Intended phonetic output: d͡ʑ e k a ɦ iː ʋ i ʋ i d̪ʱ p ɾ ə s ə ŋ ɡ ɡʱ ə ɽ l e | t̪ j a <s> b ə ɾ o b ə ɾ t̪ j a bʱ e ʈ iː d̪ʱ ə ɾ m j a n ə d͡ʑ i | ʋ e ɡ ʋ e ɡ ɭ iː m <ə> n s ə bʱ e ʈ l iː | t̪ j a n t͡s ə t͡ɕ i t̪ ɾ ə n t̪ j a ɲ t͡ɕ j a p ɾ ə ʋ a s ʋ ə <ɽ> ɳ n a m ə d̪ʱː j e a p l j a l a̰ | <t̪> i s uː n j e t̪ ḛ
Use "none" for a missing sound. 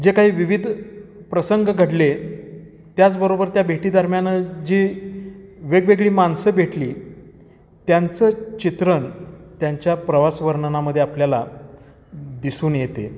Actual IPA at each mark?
t͡s, a, ɾ, d̪

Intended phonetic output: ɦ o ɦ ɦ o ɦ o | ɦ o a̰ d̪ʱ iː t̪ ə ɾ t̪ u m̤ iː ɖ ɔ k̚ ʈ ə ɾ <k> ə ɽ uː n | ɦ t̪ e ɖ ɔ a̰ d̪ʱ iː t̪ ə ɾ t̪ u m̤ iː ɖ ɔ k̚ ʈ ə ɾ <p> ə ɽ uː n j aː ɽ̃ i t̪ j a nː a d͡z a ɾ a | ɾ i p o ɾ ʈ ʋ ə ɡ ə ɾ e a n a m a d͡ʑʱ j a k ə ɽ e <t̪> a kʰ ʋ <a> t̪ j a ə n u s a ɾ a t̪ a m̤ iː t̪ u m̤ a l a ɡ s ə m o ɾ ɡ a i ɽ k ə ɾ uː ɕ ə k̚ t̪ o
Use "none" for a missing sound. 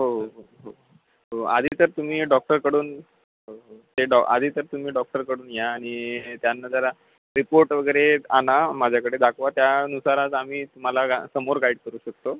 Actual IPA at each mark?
k, k, d̪, a

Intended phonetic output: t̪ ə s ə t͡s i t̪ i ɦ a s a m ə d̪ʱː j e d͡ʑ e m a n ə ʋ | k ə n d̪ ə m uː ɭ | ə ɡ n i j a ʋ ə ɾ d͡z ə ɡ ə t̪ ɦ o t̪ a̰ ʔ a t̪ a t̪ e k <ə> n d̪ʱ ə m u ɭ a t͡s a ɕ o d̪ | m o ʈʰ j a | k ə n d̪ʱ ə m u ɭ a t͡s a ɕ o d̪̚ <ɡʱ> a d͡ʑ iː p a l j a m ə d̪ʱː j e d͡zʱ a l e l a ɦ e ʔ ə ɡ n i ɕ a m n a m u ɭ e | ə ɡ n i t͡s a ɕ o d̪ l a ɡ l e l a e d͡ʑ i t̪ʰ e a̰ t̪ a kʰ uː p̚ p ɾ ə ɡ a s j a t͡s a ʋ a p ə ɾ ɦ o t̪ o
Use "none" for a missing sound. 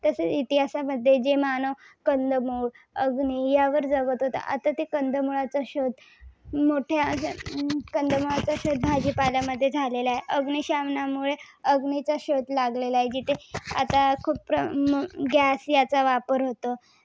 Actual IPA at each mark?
ə, bʱ

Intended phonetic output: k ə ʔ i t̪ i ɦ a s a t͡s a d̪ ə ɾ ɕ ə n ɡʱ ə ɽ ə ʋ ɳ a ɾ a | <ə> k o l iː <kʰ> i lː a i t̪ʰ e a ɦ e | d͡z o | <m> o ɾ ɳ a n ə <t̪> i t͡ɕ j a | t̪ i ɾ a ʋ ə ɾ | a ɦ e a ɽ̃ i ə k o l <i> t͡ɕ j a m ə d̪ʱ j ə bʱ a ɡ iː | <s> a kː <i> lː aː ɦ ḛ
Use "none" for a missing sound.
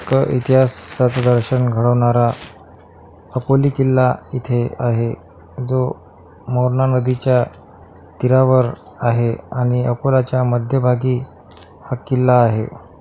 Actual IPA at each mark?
ə, k, m, d̪, a, h, i

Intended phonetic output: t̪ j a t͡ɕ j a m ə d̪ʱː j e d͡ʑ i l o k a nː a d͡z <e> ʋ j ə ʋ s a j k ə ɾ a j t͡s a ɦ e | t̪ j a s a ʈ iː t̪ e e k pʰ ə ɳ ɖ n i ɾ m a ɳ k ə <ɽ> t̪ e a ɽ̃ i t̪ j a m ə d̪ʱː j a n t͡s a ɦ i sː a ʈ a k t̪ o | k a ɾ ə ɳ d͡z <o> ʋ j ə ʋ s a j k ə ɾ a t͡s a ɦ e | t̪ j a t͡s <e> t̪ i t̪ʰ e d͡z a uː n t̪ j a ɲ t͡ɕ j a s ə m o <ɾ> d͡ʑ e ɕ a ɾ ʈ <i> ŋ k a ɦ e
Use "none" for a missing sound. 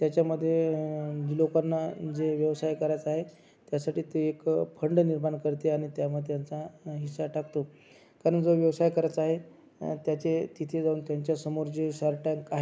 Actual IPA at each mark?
e, ɾ, o, e, ɾ, a

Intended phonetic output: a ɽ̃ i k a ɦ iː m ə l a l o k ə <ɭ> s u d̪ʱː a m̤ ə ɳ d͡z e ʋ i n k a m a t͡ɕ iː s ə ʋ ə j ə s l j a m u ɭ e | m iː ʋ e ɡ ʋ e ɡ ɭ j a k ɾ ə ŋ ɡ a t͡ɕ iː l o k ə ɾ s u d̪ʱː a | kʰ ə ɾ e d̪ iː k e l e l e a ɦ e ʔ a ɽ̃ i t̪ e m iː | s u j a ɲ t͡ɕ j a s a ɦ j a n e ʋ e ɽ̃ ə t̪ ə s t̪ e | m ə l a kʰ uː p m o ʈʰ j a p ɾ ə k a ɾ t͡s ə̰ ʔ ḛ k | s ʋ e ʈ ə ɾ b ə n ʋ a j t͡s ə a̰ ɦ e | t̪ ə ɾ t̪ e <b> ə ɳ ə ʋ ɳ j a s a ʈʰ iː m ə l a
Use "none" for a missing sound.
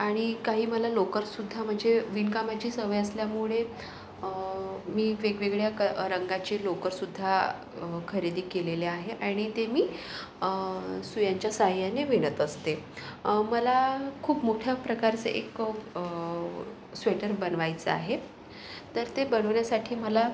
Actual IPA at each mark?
ɾ, b

